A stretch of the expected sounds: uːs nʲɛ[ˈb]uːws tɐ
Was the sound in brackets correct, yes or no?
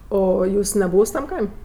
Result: yes